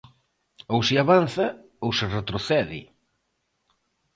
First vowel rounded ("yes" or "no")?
yes